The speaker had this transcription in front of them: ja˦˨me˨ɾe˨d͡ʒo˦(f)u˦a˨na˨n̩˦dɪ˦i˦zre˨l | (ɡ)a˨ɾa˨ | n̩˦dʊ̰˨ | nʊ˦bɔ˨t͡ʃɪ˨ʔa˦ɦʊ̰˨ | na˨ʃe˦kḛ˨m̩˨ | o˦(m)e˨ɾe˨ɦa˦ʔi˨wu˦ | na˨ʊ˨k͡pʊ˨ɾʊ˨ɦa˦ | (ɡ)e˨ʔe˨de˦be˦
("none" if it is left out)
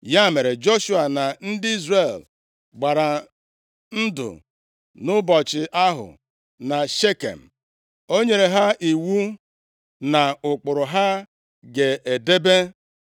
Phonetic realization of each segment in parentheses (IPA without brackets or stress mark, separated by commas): ʃ, ɡ͡b, ɲ, ɡ